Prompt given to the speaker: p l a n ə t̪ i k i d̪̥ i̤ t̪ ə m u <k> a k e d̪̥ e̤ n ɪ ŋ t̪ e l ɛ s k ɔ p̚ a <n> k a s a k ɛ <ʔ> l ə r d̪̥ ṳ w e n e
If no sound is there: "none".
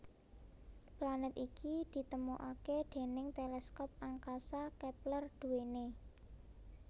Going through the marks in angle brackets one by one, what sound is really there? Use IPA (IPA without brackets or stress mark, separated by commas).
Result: ʔ, ŋ, p